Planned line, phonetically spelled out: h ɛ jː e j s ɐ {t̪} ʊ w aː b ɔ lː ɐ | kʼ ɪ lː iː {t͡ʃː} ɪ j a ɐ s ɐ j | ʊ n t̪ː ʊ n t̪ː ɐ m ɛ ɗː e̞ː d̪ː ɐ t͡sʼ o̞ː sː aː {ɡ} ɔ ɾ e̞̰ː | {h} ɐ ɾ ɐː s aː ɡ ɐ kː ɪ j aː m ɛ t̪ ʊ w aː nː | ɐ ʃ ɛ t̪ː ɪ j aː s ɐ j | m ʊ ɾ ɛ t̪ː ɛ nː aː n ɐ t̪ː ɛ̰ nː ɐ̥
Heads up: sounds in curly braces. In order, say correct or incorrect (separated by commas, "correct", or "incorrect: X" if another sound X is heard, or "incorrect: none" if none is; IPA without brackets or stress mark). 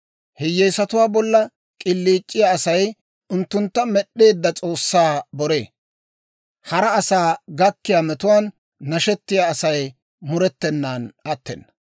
correct, incorrect: t͡ʃʼː, incorrect: b, correct